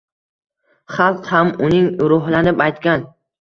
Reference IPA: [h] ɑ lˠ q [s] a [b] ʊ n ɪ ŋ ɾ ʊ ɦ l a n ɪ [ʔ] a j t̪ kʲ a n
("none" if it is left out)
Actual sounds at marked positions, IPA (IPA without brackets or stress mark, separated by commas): χ, h, m, p